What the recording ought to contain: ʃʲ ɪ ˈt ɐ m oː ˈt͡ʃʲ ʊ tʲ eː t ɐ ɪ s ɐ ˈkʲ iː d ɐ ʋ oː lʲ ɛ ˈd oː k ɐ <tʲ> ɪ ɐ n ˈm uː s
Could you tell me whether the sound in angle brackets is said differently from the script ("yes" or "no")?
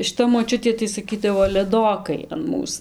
yes